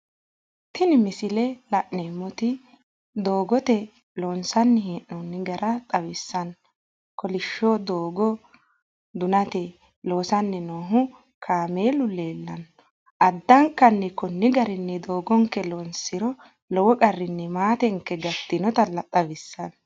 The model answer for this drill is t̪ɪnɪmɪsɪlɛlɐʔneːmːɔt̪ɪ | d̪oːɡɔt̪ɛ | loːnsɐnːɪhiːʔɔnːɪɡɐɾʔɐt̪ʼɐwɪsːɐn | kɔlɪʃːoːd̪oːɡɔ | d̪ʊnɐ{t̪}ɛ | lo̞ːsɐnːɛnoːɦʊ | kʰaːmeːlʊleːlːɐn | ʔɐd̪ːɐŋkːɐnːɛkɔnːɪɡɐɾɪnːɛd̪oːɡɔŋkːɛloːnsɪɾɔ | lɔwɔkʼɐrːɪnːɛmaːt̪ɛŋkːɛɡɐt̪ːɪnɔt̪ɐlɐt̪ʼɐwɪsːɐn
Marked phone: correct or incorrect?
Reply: correct